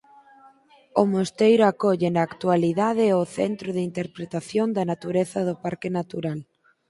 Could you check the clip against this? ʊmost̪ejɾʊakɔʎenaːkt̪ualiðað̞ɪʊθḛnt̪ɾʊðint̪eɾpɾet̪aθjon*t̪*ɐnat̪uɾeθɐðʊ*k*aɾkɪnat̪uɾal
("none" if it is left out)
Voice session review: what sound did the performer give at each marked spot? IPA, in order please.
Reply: d̪, p

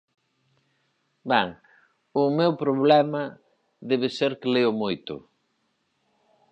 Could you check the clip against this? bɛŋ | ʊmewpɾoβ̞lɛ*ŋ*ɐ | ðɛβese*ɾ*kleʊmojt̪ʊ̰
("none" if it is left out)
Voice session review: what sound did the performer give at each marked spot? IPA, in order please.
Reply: m, ɾ

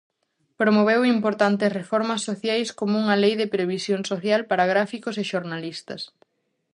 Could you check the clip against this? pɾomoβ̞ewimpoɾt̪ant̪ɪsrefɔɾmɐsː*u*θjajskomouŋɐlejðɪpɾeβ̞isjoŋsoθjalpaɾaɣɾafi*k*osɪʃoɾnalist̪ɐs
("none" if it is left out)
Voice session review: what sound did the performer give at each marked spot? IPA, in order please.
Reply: o, k

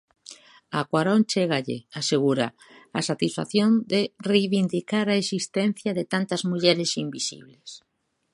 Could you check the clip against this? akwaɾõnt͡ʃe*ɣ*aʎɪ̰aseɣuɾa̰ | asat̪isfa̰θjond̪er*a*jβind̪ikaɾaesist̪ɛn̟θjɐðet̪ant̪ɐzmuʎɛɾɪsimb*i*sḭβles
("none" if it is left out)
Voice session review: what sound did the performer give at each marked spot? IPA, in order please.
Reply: ɣ, e, i

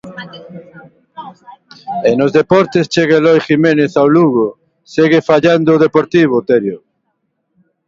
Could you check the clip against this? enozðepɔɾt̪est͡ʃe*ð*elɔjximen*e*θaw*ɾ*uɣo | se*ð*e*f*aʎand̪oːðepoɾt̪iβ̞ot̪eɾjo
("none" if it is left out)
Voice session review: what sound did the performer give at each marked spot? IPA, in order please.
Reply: ɣ, e, l, ɣ, f

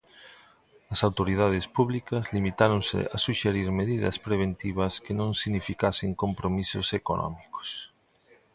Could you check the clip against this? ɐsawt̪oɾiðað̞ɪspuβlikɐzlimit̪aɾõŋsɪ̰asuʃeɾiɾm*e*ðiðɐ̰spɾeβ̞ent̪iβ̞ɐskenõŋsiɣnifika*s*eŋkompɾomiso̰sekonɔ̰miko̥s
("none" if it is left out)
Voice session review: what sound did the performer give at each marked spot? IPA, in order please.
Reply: e, s

